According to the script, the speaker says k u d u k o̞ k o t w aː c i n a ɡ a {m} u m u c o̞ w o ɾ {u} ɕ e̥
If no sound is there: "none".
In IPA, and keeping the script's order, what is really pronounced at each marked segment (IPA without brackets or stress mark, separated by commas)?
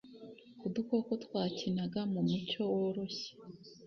m, o